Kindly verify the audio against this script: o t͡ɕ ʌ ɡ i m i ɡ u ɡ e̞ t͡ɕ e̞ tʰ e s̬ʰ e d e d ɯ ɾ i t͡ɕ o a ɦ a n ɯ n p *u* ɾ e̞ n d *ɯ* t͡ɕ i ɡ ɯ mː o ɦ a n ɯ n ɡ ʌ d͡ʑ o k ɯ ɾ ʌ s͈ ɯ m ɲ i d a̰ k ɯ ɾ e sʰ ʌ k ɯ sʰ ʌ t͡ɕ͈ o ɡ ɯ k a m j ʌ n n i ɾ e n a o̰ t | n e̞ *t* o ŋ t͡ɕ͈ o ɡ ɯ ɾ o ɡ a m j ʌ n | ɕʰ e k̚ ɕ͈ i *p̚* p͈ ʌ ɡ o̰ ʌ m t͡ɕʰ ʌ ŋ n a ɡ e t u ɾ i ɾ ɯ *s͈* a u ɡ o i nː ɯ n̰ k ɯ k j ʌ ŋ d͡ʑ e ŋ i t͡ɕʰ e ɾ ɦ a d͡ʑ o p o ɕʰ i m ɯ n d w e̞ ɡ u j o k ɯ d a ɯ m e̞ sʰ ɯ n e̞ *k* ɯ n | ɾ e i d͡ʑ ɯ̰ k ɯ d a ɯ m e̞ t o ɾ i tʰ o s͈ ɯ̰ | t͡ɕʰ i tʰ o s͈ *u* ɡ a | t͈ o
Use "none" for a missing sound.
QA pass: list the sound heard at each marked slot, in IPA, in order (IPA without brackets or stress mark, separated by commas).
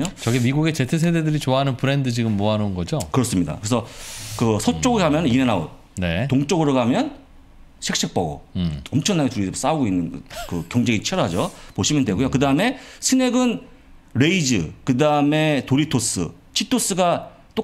ɯ, ɯ, t, k̚, s͈, ɡ, ɯ